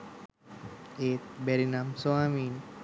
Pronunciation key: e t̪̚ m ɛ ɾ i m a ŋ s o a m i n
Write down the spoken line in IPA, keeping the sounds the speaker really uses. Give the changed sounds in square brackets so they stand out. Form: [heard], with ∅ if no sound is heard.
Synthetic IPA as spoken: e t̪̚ [b] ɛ ɾ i [n] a [m] s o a m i n